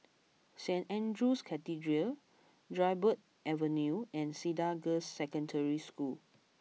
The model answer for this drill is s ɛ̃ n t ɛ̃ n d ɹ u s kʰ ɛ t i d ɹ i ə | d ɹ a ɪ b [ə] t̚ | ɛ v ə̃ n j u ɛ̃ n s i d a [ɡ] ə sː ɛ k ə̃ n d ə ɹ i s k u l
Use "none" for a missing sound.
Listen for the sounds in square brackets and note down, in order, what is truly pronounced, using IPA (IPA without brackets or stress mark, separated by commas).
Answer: ə, ɡ